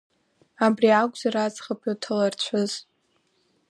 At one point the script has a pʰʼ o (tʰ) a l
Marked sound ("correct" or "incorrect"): correct